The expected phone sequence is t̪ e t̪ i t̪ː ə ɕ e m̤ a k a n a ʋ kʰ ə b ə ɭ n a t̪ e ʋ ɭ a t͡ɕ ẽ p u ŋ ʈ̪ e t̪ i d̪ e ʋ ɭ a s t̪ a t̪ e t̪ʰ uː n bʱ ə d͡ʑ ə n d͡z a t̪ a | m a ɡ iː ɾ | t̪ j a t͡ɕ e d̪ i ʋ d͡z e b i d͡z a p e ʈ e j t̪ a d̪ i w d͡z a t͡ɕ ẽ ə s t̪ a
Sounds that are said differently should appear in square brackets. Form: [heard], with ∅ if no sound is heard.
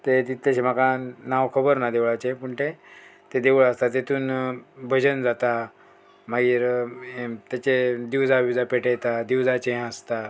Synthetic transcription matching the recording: t̪ e t̪ i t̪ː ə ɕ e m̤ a k a n a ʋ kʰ ə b ə [ɾ] n a [d̪] e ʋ ɭ a t͡ɕ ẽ p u [ɳ] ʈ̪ e t̪ [e] d̪ e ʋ ɭ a s t̪ a t̪ e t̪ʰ uː n bʱ ə d͡ʑ ə n d͡z a t̪ a | m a ɡ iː ɾ | t̪ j a t͡ɕ e d̪ i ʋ d͡z [a] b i d͡z a p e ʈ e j t̪ a d̪ i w d͡z a t͡ɕ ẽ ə s t̪ a